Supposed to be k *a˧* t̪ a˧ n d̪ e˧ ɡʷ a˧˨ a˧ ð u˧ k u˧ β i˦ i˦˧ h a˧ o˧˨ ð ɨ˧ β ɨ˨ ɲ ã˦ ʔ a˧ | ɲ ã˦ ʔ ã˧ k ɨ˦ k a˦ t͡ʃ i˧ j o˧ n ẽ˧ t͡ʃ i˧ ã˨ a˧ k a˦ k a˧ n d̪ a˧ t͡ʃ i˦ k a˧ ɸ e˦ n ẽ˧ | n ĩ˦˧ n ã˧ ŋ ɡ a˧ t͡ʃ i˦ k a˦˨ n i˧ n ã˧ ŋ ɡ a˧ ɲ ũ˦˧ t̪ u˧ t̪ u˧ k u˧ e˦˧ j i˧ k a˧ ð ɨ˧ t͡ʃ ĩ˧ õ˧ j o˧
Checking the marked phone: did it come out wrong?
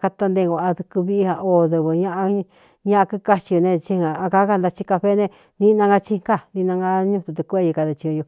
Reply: no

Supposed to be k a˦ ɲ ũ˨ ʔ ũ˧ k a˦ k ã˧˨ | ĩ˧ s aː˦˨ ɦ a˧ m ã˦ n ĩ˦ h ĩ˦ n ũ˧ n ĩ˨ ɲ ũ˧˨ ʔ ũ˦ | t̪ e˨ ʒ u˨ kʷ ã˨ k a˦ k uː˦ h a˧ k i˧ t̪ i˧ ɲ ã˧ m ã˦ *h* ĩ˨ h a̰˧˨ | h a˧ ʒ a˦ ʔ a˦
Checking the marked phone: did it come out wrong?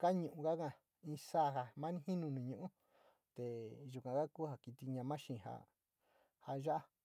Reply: yes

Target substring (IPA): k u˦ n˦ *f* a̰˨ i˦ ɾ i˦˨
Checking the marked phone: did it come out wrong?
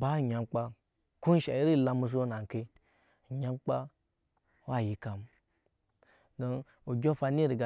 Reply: yes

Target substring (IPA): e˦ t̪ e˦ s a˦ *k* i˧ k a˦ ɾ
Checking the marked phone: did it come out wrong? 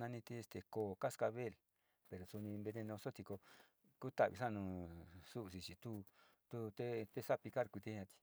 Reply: yes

